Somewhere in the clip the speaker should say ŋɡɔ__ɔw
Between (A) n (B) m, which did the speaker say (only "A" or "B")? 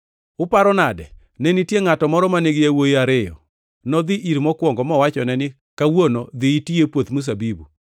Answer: B